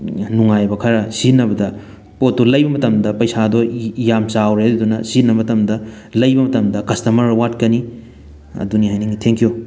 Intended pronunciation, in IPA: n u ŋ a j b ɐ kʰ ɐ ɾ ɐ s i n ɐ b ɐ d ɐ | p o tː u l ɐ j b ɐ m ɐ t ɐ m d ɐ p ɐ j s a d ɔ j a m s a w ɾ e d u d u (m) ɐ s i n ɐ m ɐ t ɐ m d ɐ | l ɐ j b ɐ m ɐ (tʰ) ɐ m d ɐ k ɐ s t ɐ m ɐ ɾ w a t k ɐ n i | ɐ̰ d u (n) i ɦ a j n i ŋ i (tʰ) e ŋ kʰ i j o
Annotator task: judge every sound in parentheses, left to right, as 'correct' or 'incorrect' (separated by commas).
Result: incorrect, incorrect, correct, correct